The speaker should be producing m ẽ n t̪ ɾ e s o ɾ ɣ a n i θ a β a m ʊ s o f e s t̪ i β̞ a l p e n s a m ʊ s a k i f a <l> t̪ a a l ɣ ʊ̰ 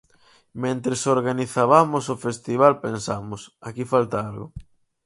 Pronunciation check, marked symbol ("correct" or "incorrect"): correct